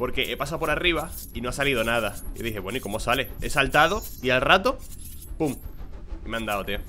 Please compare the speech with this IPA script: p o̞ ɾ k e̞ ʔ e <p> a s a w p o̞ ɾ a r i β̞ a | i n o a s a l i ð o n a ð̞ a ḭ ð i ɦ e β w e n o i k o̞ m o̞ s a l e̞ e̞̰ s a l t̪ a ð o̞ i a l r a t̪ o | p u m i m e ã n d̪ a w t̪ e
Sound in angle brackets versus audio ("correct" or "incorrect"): correct